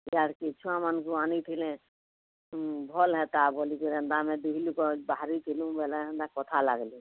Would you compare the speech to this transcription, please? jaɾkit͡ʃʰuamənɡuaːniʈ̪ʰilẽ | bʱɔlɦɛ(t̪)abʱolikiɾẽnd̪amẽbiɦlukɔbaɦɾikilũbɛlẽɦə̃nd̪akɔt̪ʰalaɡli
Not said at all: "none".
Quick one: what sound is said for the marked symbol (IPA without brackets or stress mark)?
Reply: t̪